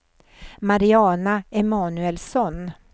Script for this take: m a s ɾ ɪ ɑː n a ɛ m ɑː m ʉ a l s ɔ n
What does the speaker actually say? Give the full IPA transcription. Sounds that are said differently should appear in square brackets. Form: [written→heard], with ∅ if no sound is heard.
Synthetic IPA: m a [s→∅] ɾ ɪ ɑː n a ɛ m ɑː [m→n] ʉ [a→ɛ] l s ɔ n